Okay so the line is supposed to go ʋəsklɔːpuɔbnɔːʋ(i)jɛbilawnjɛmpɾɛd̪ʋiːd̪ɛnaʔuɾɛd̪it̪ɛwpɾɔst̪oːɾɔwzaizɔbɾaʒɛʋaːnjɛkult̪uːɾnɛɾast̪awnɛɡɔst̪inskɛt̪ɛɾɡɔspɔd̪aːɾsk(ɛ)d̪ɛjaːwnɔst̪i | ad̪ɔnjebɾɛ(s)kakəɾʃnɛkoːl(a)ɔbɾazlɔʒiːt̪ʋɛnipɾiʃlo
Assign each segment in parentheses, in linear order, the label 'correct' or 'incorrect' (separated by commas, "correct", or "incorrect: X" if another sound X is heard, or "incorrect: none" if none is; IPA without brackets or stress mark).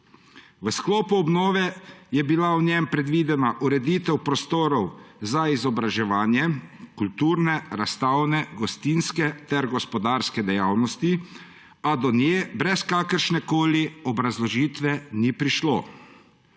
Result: incorrect: ɛ, correct, correct, incorrect: i